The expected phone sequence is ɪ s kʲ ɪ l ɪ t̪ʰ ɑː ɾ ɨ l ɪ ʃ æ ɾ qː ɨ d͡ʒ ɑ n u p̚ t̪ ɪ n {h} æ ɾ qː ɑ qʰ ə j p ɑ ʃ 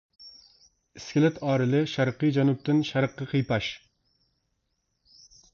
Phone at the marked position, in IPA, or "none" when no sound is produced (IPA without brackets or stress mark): ʃ